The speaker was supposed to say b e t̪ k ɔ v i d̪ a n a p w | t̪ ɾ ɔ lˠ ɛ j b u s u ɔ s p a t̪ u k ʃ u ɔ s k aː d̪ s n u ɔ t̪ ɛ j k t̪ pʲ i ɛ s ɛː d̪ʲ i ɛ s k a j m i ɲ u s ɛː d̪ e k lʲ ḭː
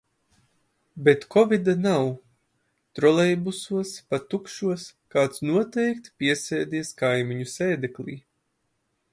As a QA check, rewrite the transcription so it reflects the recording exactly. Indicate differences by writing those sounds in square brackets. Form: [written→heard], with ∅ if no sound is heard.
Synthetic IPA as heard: b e t̪ k ɔ v i d̪ a n a [p→∅] w | t̪ ɾ ɔ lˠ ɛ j b u s u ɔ s p a t̪ u k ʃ u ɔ s k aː [d̪→t̪] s n u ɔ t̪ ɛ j k t̪ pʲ i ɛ s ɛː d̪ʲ i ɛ s k a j m i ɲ u s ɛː d̪ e k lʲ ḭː